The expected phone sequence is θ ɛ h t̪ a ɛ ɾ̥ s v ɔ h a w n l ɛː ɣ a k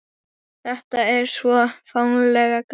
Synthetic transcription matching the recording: θ ɛ h t̪ a ɛ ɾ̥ s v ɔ f a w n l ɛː ɣ a k